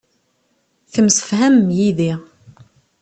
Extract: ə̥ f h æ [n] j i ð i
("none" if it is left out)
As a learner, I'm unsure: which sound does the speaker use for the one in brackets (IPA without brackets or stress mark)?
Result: m